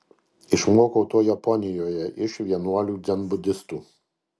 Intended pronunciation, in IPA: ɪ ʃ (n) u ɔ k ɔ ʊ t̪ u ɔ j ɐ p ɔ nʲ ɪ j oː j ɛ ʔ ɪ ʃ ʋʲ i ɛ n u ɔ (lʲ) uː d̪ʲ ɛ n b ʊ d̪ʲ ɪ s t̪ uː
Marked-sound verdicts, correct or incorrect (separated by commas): incorrect, correct